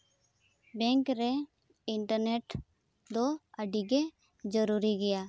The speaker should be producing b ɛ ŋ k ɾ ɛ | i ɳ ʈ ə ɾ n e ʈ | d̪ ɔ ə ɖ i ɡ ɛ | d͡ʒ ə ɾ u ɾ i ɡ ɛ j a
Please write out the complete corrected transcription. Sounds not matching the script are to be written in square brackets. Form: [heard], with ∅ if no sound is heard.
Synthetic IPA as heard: b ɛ ŋ k ɾ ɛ | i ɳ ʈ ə ɾ n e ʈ | d̪ ɔ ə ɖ i ɡ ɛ | d͡ʒ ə ɾ u ɾ i ɡ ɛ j a